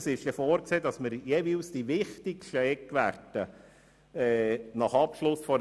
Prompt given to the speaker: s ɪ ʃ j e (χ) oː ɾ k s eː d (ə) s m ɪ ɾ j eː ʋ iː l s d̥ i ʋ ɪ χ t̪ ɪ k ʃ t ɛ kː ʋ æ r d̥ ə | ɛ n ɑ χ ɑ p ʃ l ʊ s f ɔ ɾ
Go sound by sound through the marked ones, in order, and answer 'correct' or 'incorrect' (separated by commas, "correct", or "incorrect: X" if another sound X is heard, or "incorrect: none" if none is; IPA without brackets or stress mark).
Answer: incorrect: f, incorrect: ɑ